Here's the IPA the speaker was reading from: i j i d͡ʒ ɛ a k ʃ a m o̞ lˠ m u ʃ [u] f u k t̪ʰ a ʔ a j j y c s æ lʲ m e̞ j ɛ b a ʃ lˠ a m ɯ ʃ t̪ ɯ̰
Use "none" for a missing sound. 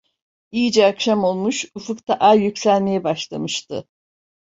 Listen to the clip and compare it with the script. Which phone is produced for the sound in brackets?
u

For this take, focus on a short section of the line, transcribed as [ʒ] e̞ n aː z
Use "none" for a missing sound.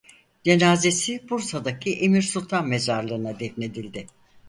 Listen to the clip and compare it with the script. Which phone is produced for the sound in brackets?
d͡ʒ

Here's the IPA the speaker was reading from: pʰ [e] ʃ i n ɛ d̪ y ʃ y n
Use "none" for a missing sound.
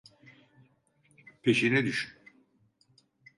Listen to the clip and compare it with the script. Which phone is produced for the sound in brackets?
e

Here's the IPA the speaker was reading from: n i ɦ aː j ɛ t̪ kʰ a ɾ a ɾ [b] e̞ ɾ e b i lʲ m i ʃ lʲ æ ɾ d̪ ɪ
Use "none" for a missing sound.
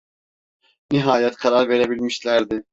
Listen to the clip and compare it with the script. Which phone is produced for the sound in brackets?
v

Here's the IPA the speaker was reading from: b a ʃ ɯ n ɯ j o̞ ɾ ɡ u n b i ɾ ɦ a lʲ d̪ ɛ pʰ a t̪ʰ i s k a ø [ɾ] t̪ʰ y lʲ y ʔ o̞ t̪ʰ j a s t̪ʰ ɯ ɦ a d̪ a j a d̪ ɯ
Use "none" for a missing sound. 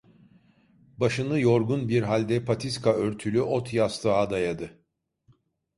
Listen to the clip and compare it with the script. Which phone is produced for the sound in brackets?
ɾ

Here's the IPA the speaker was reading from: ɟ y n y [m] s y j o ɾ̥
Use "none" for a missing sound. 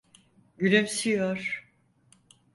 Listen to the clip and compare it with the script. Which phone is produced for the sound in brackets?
m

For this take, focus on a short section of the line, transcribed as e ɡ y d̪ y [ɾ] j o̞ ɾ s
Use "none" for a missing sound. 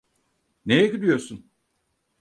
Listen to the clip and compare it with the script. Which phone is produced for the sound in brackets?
none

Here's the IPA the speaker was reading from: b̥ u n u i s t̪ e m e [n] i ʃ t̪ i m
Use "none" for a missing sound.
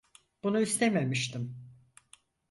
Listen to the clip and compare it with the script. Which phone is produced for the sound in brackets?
m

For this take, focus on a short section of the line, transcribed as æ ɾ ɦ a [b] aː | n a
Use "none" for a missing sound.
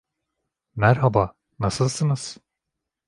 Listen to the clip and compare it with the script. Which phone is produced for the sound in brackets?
b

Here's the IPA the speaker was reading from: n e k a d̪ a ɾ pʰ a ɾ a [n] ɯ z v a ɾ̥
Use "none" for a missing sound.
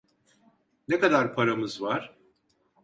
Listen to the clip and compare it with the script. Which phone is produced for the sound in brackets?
m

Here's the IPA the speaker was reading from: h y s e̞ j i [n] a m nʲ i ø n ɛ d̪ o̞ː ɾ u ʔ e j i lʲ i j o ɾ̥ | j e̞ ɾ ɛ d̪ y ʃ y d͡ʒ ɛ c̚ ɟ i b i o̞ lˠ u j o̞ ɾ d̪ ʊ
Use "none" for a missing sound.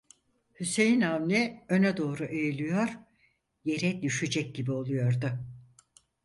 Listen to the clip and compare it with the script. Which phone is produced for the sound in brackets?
n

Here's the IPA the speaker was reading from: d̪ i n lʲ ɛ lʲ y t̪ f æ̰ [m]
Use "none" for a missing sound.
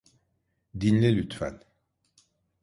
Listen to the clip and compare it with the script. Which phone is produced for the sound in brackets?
n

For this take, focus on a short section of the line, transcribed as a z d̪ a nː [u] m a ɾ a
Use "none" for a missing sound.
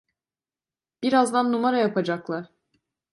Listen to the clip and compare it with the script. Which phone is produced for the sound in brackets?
u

